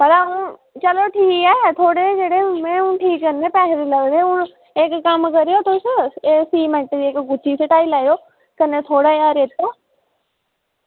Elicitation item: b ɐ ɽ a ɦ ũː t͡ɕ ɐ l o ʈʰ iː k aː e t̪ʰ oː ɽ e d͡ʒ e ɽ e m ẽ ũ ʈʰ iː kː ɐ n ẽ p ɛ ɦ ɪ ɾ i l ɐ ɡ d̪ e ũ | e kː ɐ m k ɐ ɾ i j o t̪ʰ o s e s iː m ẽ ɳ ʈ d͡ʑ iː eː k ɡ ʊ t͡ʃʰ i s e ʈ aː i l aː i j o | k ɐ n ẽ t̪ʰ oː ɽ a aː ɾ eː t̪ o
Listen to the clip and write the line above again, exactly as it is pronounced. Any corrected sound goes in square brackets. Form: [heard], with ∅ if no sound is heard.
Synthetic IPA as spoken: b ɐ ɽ a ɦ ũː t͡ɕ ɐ l o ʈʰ iː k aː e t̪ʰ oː ɽ e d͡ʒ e ɽ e m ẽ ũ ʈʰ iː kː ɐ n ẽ p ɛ ɦ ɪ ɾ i l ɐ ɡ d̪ e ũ | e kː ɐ m k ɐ ɾ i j o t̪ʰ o s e s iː m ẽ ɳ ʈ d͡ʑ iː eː k ɡ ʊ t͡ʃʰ i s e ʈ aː i l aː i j o | k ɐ n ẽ t̪ʰ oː ɽ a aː ɾ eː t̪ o